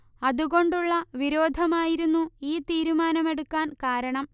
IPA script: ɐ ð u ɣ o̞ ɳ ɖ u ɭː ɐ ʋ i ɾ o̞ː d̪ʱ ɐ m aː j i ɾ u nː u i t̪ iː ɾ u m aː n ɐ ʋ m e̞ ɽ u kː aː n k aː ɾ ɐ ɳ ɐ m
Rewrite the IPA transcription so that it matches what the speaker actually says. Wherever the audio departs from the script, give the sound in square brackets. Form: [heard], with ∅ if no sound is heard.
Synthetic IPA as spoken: ɐ ð u ɣ o̞ ɳ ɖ u ɭː ɐ ʋ i ɾ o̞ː d̪ʱ ɐ m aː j i ɾ u nː u [iː] t̪ iː ɾ u m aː n ɐ [∅] m e̞ ɽ u kː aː n k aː ɾ ɐ ɳ ɐ m